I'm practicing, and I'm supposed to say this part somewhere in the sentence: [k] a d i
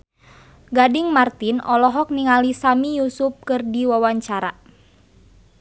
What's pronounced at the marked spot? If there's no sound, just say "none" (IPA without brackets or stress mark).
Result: ɡ